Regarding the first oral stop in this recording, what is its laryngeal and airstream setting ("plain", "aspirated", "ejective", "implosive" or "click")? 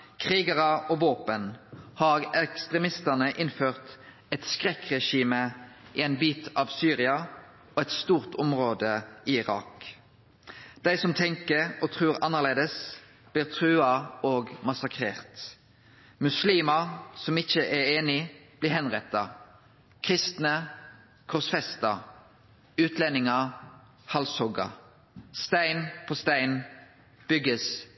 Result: aspirated